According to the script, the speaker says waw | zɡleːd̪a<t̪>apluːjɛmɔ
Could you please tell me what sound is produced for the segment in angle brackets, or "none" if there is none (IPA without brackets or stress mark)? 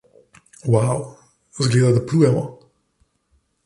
d̪